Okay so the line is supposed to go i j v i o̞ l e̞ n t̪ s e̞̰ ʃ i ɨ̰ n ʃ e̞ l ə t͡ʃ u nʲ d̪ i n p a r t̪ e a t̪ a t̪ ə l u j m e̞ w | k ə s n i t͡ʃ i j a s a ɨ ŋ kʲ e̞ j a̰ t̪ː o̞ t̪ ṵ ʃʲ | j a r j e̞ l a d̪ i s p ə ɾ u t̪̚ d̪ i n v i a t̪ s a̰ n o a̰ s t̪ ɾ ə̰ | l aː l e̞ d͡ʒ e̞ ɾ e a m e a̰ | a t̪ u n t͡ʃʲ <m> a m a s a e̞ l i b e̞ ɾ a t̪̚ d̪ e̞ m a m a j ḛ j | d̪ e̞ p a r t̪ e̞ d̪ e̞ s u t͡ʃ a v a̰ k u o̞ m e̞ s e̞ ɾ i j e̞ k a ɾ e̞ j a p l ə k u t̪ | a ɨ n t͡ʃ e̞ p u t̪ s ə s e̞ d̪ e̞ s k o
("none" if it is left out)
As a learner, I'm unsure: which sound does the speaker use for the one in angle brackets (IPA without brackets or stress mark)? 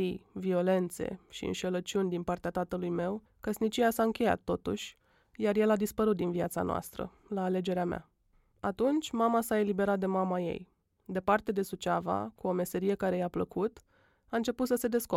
m